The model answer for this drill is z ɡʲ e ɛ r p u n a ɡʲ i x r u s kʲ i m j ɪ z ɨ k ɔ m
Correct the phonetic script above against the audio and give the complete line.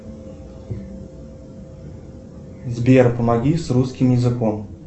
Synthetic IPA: z bʲ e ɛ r p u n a ɡʲ i s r u s kʲ i m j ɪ z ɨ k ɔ m